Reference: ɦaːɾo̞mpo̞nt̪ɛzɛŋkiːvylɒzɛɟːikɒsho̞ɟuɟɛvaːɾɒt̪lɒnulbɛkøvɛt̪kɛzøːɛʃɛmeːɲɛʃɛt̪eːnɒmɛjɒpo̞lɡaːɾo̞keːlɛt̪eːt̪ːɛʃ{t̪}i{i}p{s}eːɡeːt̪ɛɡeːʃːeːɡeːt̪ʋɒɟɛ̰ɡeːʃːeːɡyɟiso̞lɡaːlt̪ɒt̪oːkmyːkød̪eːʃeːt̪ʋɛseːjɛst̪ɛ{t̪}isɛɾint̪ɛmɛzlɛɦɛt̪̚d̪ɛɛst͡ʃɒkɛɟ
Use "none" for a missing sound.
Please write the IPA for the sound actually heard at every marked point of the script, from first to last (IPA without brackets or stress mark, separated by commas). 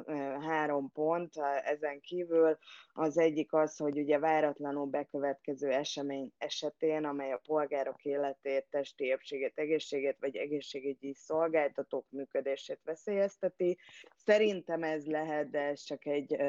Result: t̪, e, ʃ, t̪